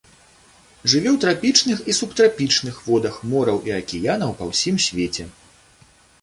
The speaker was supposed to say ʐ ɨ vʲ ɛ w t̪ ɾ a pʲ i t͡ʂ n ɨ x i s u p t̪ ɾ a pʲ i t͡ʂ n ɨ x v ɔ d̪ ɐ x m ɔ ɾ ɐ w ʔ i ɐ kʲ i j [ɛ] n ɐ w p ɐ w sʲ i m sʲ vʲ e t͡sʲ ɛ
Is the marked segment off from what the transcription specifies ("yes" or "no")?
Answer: yes